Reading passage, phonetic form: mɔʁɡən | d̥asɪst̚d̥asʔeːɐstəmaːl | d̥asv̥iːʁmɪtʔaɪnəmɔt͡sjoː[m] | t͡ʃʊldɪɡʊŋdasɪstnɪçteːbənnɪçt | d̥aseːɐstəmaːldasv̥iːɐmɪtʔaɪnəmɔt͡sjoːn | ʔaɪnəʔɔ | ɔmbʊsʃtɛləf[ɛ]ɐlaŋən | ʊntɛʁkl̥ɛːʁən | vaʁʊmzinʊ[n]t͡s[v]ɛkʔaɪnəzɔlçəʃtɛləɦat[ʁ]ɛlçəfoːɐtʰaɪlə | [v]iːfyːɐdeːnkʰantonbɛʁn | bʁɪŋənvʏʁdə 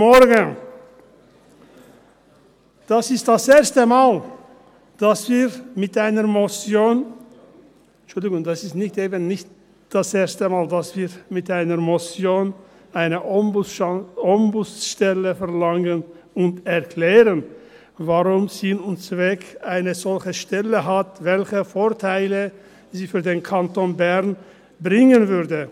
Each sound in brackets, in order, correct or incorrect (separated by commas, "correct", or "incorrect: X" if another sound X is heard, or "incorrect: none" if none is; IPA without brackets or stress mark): incorrect: n, correct, correct, correct, incorrect: v, incorrect: z